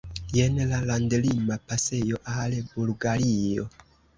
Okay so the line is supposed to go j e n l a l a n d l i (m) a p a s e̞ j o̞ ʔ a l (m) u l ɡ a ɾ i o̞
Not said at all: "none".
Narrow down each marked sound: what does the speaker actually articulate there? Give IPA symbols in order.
m, b

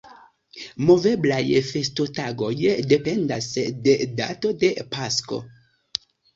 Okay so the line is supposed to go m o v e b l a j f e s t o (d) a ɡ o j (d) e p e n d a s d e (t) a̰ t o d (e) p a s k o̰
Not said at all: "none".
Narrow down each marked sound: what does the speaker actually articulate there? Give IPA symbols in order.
t, d, d, e

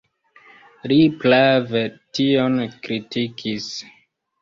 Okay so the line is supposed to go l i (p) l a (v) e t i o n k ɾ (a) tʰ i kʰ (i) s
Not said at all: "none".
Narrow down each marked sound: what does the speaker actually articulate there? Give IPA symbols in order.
p, v, i, i

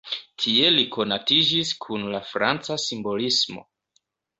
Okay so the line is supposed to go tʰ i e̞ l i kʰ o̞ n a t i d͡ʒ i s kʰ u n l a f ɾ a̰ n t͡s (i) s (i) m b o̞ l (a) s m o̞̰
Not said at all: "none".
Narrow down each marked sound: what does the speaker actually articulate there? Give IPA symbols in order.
a, i, i

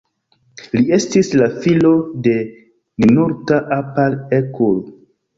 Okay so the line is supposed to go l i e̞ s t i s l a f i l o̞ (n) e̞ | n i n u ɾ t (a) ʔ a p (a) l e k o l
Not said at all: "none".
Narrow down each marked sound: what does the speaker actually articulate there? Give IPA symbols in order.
d, a, a

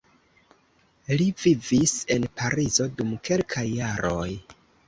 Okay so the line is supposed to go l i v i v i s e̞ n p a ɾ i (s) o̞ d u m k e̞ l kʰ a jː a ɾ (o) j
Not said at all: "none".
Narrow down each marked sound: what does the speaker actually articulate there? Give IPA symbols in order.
z, o

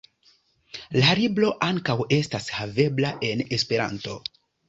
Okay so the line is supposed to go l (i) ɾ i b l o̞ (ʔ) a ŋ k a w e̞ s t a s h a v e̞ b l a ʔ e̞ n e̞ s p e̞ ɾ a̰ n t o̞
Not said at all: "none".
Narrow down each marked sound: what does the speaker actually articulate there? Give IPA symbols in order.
a, ʔ

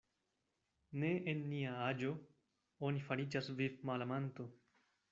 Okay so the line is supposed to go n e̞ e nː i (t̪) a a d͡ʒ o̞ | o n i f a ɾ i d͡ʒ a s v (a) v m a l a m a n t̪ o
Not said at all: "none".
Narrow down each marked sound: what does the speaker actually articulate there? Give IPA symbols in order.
none, i

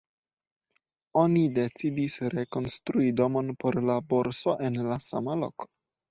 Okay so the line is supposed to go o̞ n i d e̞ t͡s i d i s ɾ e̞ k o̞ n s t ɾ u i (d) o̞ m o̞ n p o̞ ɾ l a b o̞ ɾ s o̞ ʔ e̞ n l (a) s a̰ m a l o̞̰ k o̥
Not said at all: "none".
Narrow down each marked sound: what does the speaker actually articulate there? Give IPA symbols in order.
d, a

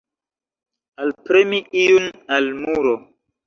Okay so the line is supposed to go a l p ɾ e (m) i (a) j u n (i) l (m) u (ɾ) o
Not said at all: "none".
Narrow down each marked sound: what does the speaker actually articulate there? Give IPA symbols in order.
m, i, a, m, ɾ

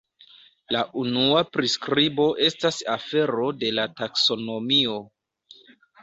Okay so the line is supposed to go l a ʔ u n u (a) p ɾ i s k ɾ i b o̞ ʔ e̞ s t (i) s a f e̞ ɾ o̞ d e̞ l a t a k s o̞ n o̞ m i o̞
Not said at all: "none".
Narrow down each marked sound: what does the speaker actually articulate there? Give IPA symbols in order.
a, a

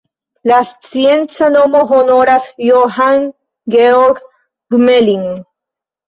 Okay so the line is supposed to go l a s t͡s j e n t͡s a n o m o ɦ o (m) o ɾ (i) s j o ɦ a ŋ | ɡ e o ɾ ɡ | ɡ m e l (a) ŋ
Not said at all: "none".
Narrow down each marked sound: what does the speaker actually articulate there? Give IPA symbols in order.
n, a, i

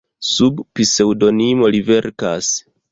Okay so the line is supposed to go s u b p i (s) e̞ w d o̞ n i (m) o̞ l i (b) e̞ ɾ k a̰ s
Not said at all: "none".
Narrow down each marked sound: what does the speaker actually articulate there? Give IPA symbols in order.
s, m, v

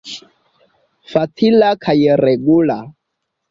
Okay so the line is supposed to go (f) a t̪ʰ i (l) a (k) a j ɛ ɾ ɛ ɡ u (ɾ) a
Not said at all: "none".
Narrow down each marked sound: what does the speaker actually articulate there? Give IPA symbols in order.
f, l, kʰ, l

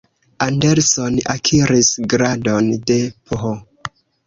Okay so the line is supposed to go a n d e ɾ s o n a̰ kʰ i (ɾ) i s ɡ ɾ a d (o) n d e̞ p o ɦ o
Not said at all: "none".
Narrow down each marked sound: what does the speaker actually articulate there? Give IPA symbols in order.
ɾ, o

